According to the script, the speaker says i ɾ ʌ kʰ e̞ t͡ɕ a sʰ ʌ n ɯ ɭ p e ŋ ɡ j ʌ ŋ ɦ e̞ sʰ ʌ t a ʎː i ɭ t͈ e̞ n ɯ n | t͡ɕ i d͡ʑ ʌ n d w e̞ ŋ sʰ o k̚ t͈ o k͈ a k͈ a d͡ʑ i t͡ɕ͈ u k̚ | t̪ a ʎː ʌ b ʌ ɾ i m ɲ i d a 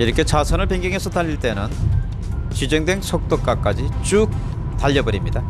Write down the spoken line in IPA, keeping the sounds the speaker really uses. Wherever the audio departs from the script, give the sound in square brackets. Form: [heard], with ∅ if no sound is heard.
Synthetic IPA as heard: i ɾ ʌ kʰ e̞ t͡ɕ a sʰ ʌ n ɯ ɭ p e ŋ ɡ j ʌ ŋ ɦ e̞ sʰ ʌ t a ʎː i ɭ t͈ e̞ n ɯ n | t͡ɕ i d͡ʑ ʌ [ŋ] d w e̞ ŋ sʰ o k̚ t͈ o k͈ a k͈ a d͡ʑ i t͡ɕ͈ u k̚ | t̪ a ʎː ʌ b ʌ ɾ i m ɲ i d a